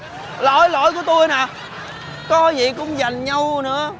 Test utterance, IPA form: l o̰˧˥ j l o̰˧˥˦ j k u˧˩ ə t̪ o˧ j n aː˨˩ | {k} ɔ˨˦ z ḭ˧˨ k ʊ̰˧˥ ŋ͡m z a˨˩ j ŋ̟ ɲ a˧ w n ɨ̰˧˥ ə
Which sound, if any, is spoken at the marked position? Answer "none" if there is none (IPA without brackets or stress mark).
k